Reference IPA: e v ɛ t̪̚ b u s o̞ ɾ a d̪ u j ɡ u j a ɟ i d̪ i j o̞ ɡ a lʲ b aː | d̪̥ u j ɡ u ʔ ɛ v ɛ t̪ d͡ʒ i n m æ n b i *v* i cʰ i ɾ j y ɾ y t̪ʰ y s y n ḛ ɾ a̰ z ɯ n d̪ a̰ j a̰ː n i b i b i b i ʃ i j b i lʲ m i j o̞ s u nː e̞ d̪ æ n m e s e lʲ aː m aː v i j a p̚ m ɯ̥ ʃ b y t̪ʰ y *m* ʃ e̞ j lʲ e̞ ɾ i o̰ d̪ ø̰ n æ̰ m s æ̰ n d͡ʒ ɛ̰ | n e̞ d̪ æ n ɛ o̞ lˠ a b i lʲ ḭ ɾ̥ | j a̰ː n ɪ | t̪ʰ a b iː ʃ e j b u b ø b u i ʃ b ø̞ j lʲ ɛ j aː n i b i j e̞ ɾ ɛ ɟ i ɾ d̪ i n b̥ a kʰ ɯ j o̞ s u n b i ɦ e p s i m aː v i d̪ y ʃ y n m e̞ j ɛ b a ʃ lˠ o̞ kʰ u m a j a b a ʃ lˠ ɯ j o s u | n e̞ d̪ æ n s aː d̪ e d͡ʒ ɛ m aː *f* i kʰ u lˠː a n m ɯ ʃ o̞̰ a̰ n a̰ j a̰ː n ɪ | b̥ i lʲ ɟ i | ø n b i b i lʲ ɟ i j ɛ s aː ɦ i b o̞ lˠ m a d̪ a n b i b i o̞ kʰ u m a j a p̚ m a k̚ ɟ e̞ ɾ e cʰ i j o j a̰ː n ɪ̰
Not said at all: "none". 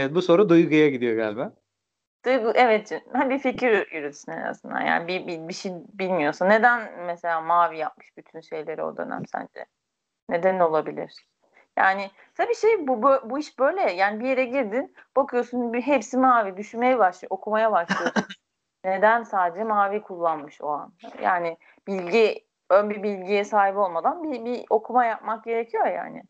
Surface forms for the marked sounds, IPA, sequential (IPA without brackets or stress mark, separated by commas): f, n, v